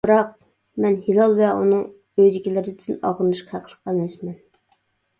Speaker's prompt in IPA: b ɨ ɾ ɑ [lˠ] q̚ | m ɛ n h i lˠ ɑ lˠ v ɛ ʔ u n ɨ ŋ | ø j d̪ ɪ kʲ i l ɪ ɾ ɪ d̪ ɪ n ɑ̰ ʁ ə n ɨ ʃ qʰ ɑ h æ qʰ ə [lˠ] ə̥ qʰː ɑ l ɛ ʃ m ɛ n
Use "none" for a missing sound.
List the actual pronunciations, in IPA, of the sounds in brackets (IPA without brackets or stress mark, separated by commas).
none, lˠ